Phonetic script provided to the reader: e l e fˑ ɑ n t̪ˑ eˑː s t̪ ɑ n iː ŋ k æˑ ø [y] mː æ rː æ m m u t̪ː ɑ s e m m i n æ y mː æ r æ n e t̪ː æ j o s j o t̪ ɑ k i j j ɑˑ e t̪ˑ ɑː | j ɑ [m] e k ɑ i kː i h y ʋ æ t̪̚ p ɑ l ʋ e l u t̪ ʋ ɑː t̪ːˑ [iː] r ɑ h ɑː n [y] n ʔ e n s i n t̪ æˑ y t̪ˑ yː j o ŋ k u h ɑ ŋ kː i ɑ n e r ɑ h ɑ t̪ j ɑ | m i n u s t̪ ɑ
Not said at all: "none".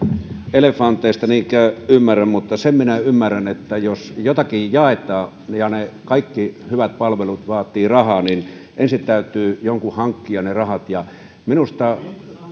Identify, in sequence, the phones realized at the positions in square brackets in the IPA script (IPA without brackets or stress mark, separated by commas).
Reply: y, n, iː, i